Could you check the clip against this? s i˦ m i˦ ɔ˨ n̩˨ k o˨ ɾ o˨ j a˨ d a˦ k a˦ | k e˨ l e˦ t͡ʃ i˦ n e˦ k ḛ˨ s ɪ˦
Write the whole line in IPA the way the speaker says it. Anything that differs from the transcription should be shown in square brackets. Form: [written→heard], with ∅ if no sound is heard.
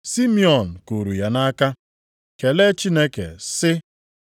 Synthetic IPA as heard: s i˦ m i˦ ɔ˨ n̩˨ k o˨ ɾ [o˨→u˨] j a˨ [d→n] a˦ k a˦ | k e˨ l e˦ t͡ʃ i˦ n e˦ k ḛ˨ s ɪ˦